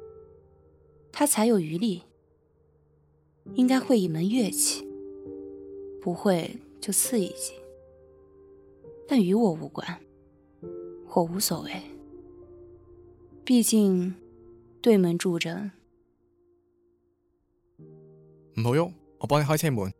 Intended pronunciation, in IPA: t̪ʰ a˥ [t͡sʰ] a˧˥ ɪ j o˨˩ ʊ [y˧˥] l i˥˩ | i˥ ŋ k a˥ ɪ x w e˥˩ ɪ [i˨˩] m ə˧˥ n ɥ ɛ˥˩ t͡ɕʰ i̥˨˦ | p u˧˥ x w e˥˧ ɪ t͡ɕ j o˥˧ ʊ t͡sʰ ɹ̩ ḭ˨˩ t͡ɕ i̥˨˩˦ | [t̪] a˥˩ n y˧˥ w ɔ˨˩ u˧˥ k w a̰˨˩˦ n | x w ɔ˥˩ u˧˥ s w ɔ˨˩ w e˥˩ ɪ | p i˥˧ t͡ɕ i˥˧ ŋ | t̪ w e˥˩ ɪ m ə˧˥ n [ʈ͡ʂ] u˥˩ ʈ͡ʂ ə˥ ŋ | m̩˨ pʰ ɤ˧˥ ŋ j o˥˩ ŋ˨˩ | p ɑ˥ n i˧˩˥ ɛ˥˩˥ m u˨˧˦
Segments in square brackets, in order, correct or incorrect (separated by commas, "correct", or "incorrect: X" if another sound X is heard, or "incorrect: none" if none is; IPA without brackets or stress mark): correct, correct, correct, correct, correct